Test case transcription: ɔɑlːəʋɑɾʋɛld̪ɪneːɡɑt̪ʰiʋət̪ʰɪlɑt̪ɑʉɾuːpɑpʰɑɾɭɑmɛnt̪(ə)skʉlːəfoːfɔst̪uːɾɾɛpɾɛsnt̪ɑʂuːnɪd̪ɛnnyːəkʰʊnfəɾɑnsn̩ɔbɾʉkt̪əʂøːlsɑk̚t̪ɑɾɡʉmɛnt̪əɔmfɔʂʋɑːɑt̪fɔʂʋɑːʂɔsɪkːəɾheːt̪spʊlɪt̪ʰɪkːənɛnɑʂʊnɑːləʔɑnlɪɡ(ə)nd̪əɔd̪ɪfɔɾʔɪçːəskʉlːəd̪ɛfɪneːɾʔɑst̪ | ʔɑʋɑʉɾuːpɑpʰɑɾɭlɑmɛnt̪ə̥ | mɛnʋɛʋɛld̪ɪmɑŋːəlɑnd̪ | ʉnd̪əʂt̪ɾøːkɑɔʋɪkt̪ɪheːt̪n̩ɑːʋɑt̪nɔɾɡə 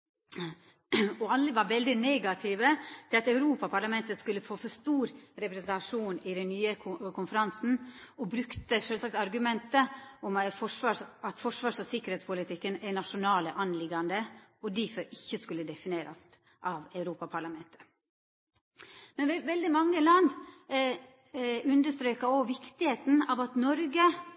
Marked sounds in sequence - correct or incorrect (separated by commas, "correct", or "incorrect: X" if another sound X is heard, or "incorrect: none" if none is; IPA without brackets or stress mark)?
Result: correct, incorrect: ɑ